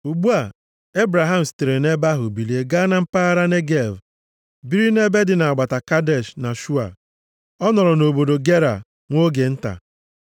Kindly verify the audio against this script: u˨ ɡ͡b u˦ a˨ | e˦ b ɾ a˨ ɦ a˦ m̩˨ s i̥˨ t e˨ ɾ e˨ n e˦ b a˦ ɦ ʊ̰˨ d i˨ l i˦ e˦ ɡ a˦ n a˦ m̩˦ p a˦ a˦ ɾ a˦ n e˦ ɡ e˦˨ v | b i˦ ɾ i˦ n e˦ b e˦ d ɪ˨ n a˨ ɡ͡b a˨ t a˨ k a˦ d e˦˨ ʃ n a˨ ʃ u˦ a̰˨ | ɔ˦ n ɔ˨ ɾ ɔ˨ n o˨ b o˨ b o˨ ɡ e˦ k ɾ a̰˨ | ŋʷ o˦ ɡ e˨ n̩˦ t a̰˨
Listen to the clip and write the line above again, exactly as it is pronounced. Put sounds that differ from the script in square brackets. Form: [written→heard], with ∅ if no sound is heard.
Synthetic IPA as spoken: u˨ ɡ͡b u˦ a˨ | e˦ b ɾ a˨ ɦ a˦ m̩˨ s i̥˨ t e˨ ɾ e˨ n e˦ b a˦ ɦ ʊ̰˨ [d→b] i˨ l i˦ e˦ ɡ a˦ n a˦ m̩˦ p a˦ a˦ ɾ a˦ n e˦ ɡ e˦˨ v | b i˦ ɾ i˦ n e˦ b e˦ d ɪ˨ n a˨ ɡ͡b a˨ t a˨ k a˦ d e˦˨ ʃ n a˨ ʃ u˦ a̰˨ | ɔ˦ n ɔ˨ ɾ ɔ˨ n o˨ b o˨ [b→d] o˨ ɡ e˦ [k→∅] ɾ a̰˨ | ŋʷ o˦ ɡ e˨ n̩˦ t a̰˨